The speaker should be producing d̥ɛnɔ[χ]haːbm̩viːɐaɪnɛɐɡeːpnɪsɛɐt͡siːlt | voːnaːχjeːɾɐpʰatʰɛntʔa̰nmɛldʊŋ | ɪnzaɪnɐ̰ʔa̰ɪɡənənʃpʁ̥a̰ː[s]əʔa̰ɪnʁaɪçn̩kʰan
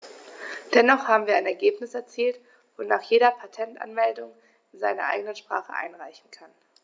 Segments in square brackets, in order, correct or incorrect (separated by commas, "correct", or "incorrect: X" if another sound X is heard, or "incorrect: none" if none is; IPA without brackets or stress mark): correct, incorrect: χ